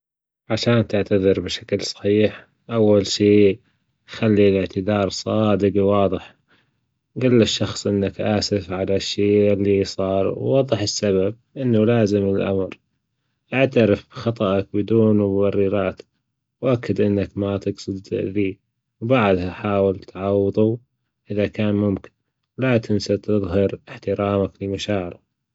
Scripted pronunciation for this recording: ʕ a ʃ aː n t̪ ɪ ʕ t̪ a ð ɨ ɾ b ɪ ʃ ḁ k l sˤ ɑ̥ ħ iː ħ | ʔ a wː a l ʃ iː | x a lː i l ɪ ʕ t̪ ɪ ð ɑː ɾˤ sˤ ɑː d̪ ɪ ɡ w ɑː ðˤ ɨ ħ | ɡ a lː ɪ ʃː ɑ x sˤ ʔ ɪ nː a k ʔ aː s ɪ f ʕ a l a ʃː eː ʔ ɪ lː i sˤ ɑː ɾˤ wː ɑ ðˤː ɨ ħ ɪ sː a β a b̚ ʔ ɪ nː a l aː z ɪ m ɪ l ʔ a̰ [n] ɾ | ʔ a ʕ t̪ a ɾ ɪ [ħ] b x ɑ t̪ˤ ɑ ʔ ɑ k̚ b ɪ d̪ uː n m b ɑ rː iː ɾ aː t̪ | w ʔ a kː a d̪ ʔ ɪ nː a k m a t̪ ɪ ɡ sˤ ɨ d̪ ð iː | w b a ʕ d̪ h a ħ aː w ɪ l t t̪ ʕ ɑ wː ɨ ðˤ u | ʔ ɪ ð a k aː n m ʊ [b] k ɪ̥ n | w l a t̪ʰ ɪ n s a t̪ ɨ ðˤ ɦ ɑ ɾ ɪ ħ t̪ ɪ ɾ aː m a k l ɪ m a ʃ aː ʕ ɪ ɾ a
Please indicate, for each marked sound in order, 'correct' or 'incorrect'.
incorrect: m, incorrect: f, incorrect: m

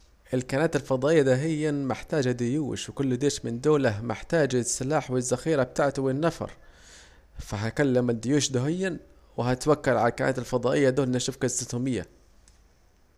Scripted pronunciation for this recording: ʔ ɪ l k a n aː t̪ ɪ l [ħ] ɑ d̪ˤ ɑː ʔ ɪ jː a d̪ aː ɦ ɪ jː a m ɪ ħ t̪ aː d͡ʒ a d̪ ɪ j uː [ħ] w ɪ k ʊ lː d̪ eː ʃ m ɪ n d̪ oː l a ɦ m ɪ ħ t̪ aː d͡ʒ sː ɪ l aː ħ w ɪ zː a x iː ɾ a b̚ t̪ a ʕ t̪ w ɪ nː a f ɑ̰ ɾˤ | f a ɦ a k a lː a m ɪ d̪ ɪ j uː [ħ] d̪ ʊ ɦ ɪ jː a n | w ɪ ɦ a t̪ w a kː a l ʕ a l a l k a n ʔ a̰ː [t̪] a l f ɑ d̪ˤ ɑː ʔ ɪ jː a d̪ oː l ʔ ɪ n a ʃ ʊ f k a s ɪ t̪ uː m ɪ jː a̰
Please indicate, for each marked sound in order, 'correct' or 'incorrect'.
incorrect: f, incorrect: ʃ, incorrect: ʃ, correct

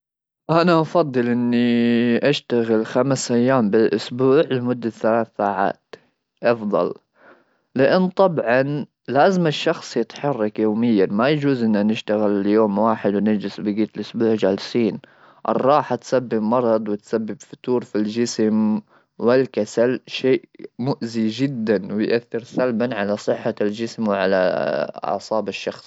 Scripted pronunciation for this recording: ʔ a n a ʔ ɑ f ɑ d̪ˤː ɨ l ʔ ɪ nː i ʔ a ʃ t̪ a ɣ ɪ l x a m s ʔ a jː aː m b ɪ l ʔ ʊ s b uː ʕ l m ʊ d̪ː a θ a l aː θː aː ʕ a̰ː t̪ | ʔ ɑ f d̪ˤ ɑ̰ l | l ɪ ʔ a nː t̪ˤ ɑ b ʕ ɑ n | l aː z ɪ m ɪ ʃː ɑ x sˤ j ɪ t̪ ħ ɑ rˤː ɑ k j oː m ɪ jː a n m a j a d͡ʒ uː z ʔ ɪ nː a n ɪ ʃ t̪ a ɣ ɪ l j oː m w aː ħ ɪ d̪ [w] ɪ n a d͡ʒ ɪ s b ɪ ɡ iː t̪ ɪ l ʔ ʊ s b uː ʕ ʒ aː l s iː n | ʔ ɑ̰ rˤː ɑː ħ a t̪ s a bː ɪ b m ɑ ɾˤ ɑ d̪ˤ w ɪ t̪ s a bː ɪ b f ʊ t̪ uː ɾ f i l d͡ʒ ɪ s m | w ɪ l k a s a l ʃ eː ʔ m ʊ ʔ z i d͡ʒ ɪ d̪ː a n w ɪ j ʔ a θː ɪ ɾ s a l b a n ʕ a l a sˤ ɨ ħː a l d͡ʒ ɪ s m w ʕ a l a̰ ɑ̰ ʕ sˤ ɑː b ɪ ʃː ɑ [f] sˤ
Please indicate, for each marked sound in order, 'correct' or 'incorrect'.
correct, incorrect: x

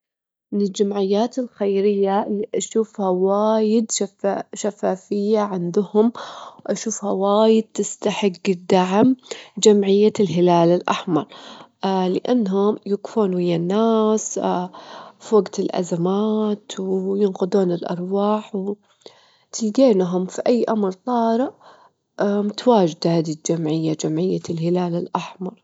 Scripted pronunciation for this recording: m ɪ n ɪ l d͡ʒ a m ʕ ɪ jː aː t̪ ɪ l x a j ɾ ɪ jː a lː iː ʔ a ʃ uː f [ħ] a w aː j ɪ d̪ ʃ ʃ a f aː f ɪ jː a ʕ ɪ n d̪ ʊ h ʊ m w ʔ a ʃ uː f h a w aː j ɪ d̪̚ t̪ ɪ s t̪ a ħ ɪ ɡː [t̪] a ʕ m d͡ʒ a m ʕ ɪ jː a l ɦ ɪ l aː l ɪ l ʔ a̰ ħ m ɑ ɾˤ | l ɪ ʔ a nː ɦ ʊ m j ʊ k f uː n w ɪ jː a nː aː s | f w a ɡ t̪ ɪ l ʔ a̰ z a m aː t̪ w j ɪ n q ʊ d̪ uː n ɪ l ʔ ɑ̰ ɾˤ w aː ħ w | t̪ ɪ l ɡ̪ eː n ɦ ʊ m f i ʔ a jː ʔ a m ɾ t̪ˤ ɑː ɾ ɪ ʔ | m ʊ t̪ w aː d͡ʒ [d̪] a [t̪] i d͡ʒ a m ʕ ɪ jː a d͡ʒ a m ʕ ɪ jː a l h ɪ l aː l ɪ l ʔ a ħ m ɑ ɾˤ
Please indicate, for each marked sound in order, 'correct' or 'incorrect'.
incorrect: h, incorrect: d̪, correct, incorrect: d̪

